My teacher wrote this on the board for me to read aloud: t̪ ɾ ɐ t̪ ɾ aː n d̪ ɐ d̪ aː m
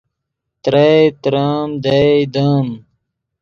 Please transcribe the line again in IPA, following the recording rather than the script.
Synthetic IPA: t̪ ɾ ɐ t̪ ɾ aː m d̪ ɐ d̪ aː m